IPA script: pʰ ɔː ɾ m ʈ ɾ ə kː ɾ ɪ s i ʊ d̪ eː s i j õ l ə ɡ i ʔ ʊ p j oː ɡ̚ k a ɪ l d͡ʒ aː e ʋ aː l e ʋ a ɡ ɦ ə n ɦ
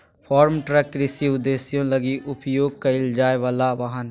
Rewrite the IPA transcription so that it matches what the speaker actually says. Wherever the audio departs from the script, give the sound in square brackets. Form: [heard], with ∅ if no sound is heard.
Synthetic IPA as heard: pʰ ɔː ɾ m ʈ ɾ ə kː ɾ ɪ s i ʊ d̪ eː s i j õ l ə ɡ i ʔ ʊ p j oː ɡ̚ k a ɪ l d͡ʒ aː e ʋ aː l [a] ʋ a [∅] ɦ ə n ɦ